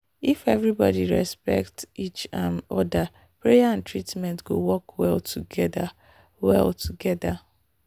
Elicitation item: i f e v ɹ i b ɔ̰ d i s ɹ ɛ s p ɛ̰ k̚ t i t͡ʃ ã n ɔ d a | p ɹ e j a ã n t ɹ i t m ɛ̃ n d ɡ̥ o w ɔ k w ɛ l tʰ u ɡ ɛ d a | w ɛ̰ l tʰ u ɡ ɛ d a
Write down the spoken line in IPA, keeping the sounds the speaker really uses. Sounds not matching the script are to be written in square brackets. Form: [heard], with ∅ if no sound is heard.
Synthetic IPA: i f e v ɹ i b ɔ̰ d i [∅] ɹ ɛ s p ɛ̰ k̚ t i t͡ʃ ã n ɔ d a | p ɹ e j a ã n t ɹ i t m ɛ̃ n [t] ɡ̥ o w ɔ k w ɛ l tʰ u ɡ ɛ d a | w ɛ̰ l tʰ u ɡ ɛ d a